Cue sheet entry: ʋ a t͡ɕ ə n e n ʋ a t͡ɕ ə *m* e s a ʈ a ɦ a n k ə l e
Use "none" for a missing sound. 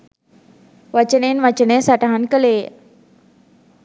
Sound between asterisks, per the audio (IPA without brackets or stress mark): n